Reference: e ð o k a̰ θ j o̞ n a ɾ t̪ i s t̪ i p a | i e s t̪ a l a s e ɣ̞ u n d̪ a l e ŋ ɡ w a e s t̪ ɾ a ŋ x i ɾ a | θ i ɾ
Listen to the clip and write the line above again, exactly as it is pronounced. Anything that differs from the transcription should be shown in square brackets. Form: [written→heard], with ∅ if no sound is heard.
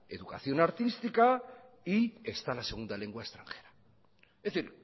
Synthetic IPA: e ð [o→u] k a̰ θ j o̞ n a ɾ t̪ i s t̪ i [p→k] a | i e s t̪ a l a s e ɣ̞ u n d̪ a l e ŋ ɡ w a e s t̪ ɾ a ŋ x [i→e] ɾ a | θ i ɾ